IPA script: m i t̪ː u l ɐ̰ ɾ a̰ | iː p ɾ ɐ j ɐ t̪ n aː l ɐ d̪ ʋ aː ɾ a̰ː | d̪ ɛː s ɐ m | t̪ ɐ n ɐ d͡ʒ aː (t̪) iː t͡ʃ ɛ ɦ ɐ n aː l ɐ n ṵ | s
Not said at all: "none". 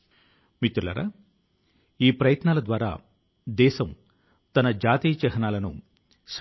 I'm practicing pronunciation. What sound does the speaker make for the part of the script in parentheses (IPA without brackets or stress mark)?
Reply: t̪